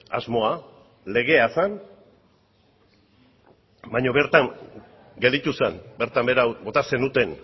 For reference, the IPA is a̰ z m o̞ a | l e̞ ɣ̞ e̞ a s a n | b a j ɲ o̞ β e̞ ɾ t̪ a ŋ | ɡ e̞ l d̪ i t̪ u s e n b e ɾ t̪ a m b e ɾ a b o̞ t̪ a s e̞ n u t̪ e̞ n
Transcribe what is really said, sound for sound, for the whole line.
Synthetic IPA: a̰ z m o̞ a | l e̞ ɣ̞ e̞ a s a n | b a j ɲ o̞ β e̞ ɾ t̪ a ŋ | ɡ e̞ l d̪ i t̪ u s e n b e ɾ t̪ a m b e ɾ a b o̞ t̪ a s e̞ n u t̪ e̞ n